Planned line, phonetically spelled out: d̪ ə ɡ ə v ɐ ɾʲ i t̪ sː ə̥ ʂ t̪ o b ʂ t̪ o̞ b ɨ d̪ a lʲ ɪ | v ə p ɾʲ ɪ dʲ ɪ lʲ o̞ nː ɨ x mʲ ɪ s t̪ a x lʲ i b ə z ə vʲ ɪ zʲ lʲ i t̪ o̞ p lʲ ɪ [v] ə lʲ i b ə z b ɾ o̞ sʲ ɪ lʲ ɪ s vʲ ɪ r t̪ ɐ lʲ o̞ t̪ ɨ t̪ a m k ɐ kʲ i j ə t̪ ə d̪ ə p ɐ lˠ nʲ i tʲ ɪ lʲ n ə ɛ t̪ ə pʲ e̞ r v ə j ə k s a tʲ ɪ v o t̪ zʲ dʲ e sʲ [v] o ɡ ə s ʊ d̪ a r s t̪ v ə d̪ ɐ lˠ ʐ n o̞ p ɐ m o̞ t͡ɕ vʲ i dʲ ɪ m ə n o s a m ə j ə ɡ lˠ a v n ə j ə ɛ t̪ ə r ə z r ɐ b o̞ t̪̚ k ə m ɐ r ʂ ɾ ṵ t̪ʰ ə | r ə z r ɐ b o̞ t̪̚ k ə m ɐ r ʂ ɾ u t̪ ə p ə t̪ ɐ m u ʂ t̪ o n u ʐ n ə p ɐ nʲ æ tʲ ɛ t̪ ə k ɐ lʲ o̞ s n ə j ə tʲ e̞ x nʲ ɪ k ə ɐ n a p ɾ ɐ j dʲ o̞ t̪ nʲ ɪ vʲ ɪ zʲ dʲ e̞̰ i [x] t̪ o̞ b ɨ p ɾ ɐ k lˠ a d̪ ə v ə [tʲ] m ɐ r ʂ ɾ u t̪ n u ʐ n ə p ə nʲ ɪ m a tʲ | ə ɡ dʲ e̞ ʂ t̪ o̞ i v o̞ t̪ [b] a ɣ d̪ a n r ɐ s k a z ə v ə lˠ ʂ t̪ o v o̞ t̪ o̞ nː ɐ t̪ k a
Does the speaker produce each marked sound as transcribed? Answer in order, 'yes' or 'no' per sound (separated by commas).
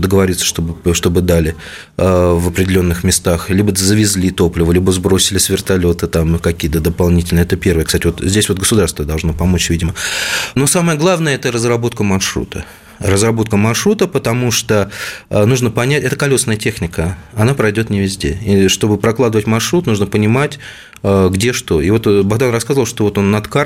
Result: yes, yes, no, yes, yes